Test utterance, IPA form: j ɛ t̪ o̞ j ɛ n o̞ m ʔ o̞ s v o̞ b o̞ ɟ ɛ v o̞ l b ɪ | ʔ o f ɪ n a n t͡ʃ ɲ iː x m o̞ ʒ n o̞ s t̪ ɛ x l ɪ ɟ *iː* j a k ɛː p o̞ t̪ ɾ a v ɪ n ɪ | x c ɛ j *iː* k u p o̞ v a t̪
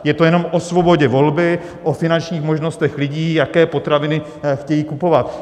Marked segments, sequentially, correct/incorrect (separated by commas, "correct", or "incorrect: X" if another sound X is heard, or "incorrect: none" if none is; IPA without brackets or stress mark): correct, correct